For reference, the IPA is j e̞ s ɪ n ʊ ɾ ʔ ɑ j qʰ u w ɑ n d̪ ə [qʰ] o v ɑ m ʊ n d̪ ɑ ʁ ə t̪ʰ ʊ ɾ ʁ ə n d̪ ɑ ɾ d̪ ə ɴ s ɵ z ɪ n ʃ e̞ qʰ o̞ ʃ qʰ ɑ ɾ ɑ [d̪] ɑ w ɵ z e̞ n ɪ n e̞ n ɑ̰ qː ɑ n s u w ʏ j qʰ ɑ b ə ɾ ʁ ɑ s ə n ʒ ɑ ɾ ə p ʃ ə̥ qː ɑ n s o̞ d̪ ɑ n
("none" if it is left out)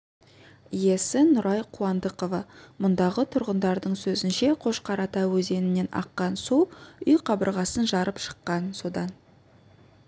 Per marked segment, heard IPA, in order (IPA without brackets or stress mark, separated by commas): q, t̪